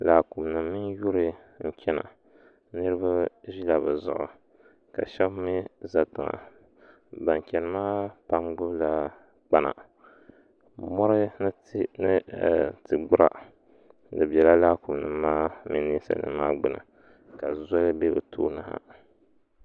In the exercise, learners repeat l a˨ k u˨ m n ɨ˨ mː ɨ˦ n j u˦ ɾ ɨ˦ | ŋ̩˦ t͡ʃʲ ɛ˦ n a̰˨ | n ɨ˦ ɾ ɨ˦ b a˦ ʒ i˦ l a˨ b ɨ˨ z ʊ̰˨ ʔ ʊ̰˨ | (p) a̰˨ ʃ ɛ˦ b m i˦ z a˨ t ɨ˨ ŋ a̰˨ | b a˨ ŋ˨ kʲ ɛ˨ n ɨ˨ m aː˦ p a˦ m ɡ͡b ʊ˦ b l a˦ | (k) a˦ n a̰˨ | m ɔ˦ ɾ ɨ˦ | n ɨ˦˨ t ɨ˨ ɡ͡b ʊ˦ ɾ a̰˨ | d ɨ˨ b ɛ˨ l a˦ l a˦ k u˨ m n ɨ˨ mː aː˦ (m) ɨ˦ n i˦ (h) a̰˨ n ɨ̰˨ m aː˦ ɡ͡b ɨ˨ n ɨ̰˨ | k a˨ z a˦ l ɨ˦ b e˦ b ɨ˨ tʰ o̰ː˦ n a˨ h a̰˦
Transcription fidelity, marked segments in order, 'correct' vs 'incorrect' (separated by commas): incorrect, incorrect, correct, incorrect